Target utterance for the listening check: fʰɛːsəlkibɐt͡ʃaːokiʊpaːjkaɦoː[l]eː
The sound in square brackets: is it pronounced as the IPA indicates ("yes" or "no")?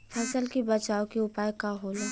yes